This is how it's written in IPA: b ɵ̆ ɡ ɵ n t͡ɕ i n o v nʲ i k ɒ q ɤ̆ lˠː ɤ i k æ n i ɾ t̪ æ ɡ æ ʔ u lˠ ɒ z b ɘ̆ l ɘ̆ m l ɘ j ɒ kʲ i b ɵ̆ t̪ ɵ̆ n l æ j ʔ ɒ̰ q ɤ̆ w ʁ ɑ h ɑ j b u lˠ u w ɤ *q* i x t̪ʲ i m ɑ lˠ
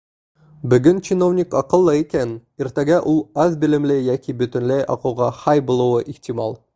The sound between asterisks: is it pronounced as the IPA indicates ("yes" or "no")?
no